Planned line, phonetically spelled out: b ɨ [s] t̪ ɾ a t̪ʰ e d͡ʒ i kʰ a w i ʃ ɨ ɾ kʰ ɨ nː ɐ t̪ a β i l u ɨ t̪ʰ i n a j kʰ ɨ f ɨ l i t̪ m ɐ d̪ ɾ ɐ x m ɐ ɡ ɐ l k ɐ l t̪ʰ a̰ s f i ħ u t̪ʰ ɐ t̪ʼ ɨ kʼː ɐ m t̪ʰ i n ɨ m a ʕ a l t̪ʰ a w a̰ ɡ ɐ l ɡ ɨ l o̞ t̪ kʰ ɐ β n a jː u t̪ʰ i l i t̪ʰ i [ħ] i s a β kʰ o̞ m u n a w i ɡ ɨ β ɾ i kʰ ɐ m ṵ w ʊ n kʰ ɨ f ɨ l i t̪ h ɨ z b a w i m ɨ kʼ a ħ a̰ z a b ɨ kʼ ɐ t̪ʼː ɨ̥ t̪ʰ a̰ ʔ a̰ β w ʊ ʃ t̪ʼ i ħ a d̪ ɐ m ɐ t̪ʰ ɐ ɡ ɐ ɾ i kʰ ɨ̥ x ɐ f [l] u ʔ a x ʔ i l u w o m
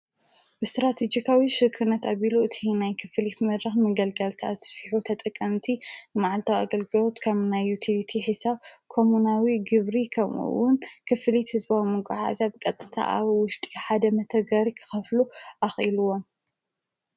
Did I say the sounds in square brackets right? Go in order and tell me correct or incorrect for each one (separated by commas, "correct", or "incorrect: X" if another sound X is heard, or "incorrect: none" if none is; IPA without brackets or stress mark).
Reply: correct, correct, correct